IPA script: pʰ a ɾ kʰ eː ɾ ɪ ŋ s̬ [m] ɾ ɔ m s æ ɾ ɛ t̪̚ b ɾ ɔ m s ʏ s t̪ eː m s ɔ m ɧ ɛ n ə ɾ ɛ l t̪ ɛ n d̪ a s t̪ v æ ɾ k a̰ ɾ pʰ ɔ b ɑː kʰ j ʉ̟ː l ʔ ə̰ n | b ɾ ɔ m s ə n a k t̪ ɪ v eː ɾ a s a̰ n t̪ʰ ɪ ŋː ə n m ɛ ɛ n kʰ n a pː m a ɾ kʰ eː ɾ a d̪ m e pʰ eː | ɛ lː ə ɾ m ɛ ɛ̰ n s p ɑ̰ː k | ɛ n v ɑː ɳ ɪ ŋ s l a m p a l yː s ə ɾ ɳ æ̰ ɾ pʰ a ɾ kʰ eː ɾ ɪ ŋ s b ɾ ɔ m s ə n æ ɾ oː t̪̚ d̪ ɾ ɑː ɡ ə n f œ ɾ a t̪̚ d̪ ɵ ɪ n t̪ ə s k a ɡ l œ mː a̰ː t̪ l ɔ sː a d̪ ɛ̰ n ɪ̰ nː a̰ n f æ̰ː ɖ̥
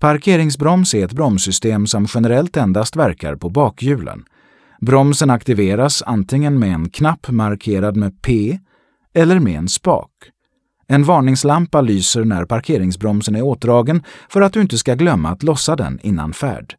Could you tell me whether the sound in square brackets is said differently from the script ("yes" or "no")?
yes